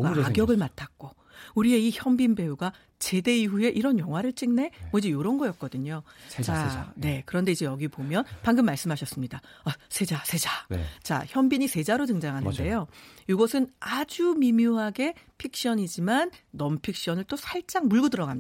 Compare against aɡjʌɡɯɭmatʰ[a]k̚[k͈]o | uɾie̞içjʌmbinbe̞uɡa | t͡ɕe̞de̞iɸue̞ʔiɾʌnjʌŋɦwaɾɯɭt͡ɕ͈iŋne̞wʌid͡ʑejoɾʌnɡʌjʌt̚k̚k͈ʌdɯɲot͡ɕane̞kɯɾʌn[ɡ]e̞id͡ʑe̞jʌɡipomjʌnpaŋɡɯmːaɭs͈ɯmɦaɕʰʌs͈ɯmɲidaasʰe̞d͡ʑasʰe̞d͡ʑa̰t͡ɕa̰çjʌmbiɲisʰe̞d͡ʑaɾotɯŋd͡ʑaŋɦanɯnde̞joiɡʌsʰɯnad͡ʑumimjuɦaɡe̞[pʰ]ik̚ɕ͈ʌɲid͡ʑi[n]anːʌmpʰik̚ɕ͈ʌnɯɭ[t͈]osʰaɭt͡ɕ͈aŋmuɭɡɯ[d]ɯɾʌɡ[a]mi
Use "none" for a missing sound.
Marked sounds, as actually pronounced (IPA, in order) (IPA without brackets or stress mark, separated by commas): a, k͈, d, pʰ, m, t͈, d, a